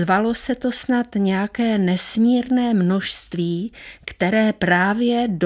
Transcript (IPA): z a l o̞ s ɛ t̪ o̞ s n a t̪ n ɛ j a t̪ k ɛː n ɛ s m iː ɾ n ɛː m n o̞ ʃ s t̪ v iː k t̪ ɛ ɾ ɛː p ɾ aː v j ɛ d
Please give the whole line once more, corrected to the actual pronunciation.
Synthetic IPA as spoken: v a l o̞ s ɛ t̪ o̞ s n a t̪ ɲ ɛ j a k ɛː n ɛ s m iː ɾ n ɛː m n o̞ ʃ s t̪ v iː k t̪ ɛ ɾ ɛː p ɾ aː v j ɛ d